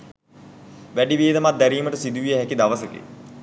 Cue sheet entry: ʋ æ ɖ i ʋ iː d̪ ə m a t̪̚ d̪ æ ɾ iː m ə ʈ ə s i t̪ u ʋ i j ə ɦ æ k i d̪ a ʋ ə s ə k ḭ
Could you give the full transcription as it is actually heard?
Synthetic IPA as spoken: ʋ æ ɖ i ʋ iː d̪ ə m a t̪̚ d̪ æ ɾ iː m ə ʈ ə s i d̪ u ʋ i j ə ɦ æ k i d̪ a ʋ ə s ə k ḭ